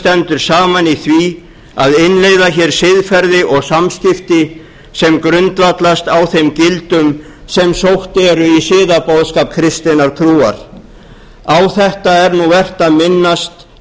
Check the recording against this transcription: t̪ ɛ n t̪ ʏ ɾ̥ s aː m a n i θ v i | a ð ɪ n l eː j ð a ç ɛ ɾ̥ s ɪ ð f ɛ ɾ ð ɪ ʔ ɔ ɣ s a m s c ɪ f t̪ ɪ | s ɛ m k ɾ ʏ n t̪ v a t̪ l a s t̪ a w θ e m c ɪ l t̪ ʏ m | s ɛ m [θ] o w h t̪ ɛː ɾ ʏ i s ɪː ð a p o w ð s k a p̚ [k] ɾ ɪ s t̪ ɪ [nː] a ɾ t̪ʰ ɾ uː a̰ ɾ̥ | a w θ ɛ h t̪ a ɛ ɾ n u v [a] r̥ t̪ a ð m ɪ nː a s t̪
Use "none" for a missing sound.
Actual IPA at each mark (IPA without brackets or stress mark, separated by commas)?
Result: s, kʰ, n, ɛ